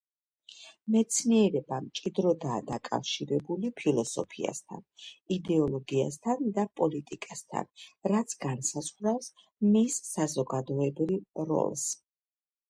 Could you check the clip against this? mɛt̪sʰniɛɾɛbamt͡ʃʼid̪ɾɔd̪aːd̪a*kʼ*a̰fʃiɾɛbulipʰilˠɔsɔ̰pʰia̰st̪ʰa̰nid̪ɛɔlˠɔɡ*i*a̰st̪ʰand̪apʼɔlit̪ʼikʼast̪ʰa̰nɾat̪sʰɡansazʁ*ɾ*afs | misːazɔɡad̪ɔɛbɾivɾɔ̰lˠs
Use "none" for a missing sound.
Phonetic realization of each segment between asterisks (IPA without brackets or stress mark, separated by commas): kʼ, i, ɾ